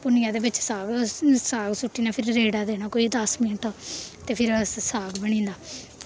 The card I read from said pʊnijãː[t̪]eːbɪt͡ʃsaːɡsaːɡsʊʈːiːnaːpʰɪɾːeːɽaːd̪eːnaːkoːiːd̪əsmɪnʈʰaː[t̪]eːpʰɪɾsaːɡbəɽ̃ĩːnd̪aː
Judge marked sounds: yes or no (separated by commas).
no, yes